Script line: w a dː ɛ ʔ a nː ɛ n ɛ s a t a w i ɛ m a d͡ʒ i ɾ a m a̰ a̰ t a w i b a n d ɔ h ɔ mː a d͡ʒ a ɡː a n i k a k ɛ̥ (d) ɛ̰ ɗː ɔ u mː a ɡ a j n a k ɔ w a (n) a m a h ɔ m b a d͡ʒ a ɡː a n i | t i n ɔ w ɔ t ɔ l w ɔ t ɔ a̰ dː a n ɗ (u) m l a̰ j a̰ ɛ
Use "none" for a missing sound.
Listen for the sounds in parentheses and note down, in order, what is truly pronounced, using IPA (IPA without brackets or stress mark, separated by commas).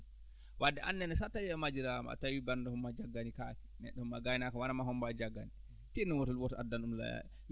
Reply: n, n, u